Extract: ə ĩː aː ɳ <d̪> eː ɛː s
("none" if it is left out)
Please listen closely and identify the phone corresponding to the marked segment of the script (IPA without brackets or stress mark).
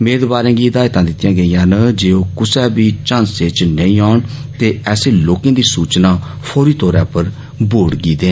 t̪